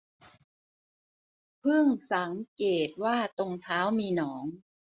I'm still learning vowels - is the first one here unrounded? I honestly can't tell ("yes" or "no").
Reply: yes